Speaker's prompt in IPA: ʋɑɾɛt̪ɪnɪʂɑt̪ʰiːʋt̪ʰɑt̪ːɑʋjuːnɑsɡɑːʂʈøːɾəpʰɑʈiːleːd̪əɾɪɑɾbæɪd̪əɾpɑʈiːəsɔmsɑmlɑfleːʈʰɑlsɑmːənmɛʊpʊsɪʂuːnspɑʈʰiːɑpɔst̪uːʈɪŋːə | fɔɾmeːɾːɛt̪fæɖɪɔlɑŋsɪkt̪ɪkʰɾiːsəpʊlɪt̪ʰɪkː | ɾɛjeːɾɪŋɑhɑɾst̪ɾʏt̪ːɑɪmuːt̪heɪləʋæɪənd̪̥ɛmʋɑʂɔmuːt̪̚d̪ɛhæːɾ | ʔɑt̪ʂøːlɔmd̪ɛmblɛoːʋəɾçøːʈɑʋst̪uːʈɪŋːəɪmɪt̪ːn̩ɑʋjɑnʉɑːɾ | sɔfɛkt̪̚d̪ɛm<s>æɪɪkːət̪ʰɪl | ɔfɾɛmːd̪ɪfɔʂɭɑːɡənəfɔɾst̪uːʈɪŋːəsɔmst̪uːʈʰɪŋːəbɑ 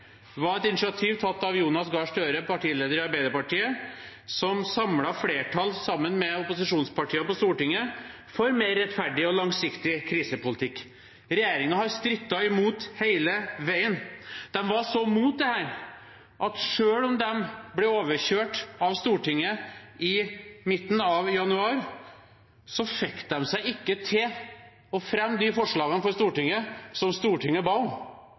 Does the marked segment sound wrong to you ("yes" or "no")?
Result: no